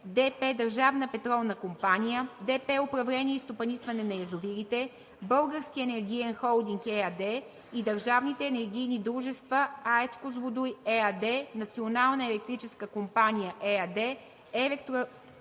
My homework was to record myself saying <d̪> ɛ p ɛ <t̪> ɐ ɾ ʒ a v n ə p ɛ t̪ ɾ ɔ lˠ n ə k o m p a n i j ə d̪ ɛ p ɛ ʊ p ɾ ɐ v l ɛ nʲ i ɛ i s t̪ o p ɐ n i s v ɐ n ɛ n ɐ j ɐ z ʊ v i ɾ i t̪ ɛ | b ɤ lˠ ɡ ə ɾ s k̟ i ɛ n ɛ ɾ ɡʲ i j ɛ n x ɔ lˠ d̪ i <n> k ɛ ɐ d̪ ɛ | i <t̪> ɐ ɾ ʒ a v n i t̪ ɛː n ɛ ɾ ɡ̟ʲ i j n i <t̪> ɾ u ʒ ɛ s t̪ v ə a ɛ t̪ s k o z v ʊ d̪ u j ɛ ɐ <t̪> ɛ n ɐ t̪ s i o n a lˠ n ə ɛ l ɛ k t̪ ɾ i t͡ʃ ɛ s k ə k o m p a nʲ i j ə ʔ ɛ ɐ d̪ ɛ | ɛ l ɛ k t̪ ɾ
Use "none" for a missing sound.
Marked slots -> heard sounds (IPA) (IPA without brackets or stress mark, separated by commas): d̪, d̪, ŋ, d̪, d̪, d̪